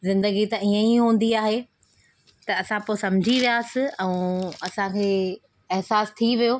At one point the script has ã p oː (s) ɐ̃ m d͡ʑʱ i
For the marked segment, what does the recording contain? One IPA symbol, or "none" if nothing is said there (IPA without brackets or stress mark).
s